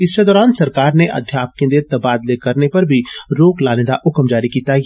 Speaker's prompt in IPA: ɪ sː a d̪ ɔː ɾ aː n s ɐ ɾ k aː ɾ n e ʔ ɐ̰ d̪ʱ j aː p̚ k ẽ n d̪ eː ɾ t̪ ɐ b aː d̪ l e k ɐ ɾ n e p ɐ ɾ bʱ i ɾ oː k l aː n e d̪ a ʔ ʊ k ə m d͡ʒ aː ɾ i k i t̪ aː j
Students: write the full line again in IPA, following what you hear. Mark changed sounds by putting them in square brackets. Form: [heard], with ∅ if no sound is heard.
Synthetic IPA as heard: ɪ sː [e] d̪ ɔː ɾ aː n s ɐ ɾ k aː ɾ n e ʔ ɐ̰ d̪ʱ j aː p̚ k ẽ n d̪ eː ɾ t̪ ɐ b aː d̪ l e k ɐ ɾ n e p ɐ ɾ bʱ i ɾ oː k l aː n e d̪ a ʔ ʊ k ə m d͡ʒ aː ɾ i k i t̪ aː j